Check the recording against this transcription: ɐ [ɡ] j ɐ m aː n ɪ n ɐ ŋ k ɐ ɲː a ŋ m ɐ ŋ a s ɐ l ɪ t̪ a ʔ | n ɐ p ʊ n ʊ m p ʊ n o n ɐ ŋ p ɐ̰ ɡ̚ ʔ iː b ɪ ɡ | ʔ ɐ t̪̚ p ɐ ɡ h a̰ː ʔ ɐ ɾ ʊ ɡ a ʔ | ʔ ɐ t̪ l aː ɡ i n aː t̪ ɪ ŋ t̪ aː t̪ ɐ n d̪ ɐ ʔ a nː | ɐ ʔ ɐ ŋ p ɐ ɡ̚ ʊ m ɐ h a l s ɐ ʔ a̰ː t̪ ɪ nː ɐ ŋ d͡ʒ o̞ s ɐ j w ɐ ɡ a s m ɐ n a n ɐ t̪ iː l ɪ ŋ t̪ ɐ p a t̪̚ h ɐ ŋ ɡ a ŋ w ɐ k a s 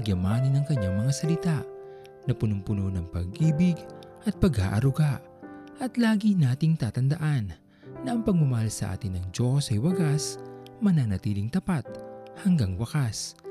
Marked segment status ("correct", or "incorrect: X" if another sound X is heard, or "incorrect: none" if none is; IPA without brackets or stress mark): correct